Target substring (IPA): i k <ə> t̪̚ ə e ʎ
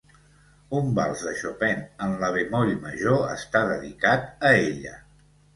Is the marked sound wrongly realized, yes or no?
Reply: yes